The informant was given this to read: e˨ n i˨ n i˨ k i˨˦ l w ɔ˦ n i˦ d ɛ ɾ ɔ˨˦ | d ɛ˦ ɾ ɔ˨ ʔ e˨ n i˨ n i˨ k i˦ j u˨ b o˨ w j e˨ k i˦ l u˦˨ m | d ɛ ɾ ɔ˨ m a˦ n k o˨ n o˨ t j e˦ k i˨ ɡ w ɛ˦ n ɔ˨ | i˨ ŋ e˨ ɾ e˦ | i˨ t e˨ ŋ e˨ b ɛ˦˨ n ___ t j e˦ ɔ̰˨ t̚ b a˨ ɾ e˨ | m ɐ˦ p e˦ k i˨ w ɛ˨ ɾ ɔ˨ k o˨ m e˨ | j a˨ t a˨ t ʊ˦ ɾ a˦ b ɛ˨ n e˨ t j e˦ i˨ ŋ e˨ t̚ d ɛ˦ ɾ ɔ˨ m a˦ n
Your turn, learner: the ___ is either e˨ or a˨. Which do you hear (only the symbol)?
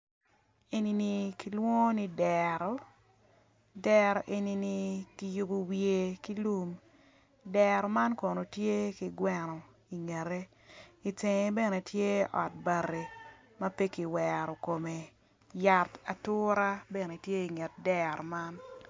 e˨